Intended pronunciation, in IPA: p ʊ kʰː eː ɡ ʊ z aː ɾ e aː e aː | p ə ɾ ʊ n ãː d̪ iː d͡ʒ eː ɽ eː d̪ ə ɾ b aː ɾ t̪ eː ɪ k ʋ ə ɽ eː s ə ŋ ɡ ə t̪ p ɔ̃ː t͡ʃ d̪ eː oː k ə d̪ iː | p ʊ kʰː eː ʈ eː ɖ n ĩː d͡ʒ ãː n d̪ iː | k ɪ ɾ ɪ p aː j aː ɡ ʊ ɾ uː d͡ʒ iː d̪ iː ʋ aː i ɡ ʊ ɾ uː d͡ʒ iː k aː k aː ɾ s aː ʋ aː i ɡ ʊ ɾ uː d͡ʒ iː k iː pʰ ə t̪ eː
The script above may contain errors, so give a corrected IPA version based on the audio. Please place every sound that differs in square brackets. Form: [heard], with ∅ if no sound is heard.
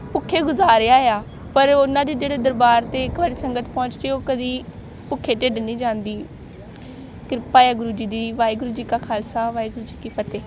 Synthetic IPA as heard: p ʊ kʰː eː ɡ ʊ z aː ɾ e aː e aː | p ə ɾ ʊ n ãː d̪ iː d͡ʒ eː ɽ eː d̪ ə ɾ b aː ɾ t̪ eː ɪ k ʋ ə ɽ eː s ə ŋ ɡ ə t̪ p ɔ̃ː t͡ʃ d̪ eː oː k ə d̪ iː | p ʊ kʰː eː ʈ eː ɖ n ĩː d͡ʒ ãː n d̪ iː | k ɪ ɾ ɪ p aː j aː ɡ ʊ ɾ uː d͡ʒ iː d̪ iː ʋ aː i ɡ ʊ ɾ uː d͡ʒ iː k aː [kʰ] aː [l] s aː ʋ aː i ɡ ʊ ɾ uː d͡ʒ iː k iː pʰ ə t̪ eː